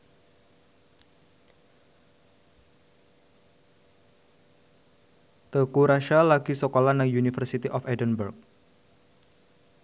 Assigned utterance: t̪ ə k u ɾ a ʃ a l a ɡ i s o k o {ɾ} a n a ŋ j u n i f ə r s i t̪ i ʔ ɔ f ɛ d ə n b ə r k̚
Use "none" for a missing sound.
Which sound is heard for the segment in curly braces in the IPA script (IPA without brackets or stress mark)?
l